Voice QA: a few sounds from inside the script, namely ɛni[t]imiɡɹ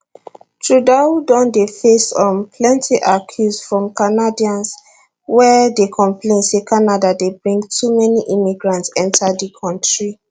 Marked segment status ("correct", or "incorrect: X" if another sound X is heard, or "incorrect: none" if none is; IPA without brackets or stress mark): incorrect: ʔ